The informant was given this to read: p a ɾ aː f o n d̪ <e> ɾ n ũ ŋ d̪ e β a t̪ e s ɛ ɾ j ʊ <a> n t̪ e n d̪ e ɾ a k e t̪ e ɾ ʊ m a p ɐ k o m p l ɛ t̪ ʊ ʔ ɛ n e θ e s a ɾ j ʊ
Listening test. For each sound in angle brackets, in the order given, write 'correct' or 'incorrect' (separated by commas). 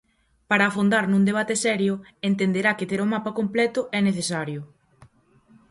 incorrect, incorrect